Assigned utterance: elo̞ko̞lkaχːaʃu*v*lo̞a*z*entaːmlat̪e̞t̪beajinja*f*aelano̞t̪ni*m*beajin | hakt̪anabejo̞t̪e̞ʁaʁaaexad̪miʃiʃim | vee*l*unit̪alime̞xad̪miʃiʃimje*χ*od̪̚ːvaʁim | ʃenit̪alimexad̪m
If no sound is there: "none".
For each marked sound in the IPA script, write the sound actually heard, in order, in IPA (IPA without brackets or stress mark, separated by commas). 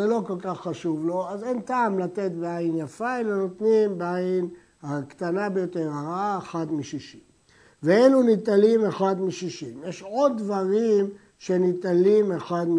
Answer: v, z, f, m, l, ʃ